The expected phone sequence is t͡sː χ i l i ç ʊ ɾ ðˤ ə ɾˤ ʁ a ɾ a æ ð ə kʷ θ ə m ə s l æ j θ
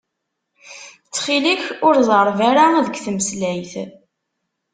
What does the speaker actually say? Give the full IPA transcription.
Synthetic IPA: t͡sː χ i l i ç ʊ ɾ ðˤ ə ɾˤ v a ɾ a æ ð ə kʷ θ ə m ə s l æ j θ